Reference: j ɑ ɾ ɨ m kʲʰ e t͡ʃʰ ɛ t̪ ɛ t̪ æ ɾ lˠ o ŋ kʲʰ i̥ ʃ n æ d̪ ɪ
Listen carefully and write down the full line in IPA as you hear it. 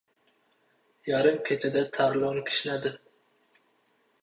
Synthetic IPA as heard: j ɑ ɾ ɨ m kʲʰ e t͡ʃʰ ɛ d̪ ɛ t̪ʰ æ ɾ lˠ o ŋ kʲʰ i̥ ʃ n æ d̪ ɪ